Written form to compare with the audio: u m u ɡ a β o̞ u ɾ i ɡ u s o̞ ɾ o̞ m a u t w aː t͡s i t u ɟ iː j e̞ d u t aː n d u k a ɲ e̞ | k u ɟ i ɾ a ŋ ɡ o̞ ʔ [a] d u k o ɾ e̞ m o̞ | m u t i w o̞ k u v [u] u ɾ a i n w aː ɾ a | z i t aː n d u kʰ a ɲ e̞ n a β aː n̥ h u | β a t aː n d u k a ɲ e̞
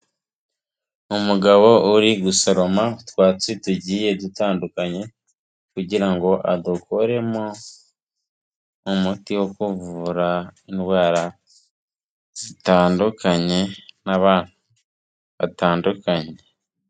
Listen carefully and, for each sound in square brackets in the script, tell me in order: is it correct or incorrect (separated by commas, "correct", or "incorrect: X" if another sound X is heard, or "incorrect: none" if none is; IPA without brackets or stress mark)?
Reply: correct, correct